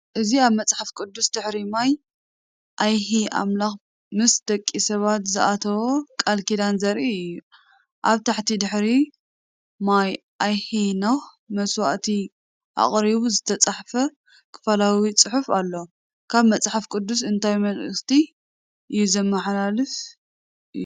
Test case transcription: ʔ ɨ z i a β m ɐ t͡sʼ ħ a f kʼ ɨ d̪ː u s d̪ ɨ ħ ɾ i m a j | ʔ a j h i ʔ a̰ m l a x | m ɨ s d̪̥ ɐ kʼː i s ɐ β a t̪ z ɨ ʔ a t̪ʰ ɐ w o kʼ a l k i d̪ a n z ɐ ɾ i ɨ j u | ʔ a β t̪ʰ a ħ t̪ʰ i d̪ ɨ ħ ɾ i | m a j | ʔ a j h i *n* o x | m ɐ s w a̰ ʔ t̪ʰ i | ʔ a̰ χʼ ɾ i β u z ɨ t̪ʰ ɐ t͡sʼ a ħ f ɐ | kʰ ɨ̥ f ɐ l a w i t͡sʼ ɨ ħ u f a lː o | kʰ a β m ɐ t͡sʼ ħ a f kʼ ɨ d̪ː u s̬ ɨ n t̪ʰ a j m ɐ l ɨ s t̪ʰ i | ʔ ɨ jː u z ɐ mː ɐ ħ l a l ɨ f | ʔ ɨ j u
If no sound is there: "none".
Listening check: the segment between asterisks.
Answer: n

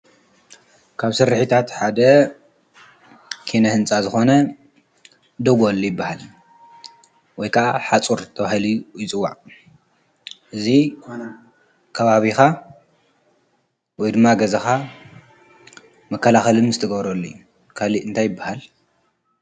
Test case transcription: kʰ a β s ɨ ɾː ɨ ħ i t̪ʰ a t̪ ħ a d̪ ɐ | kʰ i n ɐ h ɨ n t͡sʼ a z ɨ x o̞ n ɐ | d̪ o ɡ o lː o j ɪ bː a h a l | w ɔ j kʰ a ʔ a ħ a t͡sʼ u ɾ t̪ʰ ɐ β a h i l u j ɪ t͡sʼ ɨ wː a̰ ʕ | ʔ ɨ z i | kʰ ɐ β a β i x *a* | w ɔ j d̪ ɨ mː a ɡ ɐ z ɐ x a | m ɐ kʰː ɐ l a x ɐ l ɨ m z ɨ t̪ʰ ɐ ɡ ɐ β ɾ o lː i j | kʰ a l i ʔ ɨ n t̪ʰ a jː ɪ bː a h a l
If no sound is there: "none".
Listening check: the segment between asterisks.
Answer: a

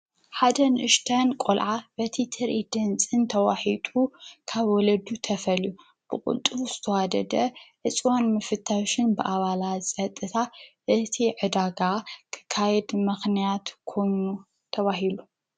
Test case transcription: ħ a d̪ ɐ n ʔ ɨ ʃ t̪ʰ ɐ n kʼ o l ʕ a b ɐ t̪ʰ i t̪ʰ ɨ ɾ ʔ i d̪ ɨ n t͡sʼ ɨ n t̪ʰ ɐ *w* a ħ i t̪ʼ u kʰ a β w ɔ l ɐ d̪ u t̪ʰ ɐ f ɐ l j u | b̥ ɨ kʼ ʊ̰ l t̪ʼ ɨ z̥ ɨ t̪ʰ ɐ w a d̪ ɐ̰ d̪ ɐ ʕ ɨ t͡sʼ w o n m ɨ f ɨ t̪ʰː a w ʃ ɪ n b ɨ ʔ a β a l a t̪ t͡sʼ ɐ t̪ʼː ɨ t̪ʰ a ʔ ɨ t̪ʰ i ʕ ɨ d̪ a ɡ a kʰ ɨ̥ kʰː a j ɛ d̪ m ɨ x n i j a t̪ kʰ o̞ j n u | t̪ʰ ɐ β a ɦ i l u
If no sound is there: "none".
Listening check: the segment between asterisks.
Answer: w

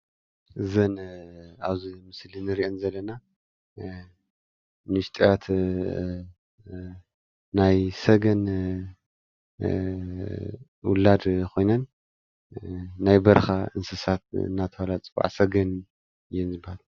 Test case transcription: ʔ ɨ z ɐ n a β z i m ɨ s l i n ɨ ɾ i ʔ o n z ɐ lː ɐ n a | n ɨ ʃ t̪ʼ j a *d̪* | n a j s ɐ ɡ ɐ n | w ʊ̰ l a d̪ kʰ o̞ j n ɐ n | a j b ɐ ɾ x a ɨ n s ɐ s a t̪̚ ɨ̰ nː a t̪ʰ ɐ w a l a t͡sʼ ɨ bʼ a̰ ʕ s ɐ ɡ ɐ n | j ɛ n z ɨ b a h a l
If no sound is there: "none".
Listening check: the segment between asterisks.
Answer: t̪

